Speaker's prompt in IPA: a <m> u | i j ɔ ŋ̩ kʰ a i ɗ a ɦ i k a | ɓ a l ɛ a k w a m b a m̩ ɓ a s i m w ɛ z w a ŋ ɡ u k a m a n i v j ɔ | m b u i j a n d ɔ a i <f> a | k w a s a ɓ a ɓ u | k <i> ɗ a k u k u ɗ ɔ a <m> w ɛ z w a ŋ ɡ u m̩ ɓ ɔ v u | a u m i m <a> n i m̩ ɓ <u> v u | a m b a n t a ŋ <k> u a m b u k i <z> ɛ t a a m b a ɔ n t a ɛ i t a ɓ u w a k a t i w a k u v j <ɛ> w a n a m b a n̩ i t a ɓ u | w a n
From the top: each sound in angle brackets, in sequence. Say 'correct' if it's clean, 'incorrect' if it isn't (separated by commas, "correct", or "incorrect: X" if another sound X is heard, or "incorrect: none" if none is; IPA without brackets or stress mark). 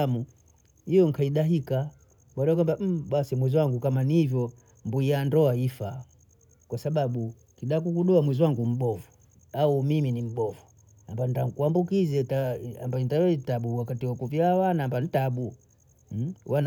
correct, correct, correct, correct, incorrect: i, incorrect: ɔ, correct, correct, incorrect: a